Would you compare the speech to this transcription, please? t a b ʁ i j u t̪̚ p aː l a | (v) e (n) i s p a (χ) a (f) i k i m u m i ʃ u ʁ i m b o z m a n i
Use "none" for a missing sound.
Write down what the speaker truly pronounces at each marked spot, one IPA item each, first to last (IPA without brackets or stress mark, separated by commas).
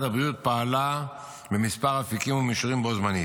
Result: b, m, ʁ, f